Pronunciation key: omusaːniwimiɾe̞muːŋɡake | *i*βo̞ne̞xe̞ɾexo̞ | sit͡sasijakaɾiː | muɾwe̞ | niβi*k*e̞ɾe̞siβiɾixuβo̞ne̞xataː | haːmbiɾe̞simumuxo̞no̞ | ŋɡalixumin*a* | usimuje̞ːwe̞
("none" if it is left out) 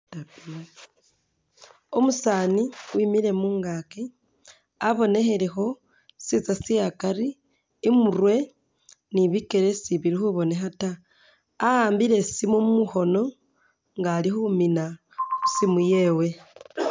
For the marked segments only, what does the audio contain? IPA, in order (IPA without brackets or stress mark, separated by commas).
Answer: a, k, a